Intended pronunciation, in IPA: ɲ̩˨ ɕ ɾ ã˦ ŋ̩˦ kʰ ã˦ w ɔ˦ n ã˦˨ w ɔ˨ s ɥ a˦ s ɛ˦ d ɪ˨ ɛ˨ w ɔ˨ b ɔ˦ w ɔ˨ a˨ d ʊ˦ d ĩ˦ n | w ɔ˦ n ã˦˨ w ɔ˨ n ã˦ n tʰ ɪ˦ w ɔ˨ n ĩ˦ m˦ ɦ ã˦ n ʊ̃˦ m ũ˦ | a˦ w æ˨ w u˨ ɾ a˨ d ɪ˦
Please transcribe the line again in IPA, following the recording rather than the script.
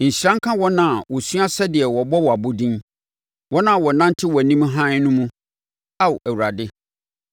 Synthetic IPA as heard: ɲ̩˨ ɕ ɾ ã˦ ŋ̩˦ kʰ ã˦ w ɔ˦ n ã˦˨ w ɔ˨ s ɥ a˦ s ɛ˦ d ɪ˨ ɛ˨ w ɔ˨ b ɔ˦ w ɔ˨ a˨ b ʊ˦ d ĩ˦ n | w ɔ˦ n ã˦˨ w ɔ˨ n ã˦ n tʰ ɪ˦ w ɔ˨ n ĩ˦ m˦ ɦ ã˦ n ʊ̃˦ m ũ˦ | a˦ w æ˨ w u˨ ɾ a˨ d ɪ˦

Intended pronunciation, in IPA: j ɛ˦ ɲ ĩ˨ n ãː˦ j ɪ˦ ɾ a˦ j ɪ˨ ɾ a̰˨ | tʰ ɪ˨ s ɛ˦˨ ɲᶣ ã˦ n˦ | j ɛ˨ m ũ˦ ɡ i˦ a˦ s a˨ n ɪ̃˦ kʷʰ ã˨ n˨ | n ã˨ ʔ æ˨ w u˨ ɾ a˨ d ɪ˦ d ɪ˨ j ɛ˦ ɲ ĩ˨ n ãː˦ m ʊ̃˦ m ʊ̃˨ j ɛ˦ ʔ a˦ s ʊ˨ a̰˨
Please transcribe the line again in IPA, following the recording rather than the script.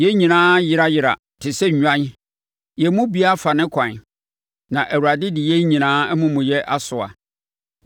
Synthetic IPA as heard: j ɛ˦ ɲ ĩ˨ n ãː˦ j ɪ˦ ɾ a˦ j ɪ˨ ɾ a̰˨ | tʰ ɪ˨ s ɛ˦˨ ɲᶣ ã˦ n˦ | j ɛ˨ m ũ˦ b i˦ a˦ f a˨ n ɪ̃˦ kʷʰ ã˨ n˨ | n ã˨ ʔ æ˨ w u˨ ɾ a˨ d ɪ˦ d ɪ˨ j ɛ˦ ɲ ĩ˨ n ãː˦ m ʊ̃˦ m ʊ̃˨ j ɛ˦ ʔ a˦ s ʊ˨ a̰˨

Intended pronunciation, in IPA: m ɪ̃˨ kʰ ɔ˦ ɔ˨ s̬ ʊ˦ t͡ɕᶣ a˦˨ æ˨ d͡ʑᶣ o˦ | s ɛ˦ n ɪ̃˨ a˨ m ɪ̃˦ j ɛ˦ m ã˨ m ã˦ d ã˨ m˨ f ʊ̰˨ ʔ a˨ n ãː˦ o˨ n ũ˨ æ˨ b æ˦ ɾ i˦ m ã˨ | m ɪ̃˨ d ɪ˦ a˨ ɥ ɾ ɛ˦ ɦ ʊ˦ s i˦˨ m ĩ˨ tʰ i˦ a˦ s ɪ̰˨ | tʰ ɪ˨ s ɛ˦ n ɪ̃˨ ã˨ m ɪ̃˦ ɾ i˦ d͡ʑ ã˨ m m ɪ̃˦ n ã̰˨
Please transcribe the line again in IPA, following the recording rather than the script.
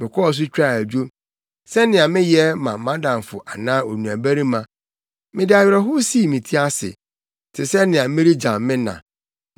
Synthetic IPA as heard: m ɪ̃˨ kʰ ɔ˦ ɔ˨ s̬ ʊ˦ t͡ɕᶣ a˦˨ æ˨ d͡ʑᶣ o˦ | s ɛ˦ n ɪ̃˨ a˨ m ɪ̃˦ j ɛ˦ m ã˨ m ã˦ d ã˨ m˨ f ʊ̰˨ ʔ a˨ n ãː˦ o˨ n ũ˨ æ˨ b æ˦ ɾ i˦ m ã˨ | m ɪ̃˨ d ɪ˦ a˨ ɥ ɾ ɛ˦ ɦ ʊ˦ s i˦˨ m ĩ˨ tʰ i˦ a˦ s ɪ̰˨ | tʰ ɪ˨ s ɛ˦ n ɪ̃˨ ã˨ m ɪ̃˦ ɾ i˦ d͡ʑ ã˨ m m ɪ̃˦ n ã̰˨

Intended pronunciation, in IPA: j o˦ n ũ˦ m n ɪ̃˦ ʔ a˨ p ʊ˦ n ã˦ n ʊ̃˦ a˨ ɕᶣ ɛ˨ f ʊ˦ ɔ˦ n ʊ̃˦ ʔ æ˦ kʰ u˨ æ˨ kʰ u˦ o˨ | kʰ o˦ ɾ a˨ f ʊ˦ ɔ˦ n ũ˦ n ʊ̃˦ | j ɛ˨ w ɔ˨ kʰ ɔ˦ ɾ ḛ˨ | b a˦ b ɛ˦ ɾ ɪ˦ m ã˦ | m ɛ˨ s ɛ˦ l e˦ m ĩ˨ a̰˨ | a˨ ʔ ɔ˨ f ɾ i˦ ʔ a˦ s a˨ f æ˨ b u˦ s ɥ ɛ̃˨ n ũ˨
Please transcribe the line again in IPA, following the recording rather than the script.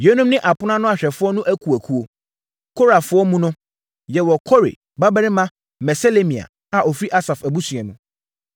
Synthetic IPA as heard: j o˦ n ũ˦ m n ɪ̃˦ ʔ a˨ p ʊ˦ n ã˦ n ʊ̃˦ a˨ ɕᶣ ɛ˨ f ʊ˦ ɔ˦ n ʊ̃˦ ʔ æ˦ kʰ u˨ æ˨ kʰ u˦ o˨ | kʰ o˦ ɾ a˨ f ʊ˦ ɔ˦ m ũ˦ n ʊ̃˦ | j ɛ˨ w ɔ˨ kʰ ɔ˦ ɾ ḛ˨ | b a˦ b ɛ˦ ɾ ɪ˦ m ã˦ | m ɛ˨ s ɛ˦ l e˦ m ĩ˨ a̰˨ | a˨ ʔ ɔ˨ f ɾ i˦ ʔ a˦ s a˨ f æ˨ b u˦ s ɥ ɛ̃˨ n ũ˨

